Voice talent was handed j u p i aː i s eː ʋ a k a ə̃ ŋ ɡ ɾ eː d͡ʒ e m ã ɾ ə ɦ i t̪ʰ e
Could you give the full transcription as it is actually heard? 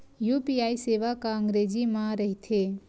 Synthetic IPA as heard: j u p i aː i s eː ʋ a k a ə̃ ŋ ɡ ɾ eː d͡ʒ i m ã ɾ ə ɦ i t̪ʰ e

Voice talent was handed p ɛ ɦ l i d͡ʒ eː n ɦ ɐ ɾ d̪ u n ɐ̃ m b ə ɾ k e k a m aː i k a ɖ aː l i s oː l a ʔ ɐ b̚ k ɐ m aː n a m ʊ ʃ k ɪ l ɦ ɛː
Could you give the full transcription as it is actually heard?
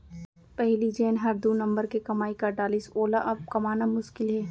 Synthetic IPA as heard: p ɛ ɦ l i d͡ʒ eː n ɦ ɐ ɾ d̪ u n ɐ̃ m b ə ɾ k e k ɐ m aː i k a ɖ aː l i s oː l a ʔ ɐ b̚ k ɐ m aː n a m ʊ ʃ k ɪ l ɦ ɛː

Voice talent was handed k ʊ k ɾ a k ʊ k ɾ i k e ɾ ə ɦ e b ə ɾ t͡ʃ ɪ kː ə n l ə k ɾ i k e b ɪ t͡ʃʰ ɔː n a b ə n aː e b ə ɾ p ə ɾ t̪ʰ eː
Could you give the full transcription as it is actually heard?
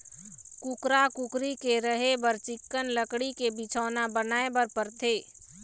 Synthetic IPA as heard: k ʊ k ɾ a k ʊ k ɾ i k e ɾ ə ɦ e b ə ɾ t͡ʃ ɪ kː ə n l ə k ɽ i k e b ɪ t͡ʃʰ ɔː n a b ə n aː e b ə ɾ p ə ɾ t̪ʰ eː

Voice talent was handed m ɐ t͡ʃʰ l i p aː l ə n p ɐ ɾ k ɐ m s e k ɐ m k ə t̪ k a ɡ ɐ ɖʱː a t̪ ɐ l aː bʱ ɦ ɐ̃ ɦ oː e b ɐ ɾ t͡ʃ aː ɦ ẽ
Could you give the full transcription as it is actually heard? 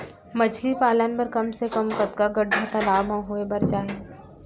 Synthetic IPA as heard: m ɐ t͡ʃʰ l i p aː l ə n p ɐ ɾ k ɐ m s e k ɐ m k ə t̪ k a ɡ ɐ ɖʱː a t̪ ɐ l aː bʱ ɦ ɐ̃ ɦ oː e b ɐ ɾ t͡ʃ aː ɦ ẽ

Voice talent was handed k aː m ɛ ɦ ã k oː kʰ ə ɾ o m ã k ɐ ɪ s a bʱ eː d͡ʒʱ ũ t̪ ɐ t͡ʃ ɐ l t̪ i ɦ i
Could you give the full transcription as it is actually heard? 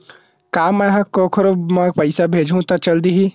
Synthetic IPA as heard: k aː m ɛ ɦ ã k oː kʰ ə ɾ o m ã p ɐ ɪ s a bʱ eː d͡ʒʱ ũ t̪ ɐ t͡ʃ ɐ l d̪ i ɦ i

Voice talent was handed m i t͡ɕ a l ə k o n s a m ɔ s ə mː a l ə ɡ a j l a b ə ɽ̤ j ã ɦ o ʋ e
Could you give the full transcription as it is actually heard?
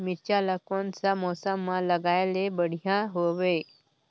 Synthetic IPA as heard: m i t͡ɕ a l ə k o n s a m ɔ s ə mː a l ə ɡ a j l e b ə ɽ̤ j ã ɦ o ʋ e

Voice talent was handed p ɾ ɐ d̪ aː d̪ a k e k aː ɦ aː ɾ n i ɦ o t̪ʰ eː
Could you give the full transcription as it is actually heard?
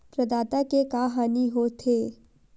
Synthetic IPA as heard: p ɾ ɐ d̪ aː t̪ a k e k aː ɦ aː n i ɦ o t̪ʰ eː

